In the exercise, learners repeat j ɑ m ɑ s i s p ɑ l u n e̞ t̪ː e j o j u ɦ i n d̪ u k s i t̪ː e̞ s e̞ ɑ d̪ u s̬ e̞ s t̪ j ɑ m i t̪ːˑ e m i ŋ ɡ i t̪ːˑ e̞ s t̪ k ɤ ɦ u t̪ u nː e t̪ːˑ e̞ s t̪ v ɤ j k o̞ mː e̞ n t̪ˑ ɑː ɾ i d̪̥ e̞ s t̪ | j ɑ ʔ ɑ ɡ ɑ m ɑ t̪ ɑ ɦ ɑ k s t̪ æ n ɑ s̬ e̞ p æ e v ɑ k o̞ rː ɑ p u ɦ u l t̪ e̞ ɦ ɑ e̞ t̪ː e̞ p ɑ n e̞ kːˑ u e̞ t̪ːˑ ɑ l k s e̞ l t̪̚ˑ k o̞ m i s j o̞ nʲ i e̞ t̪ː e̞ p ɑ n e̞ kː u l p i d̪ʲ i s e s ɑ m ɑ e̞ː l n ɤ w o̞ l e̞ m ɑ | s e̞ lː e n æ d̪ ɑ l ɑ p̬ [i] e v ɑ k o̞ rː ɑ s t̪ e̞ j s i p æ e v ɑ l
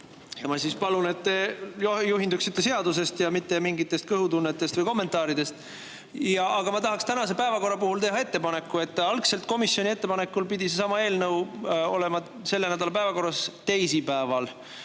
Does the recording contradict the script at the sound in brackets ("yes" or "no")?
yes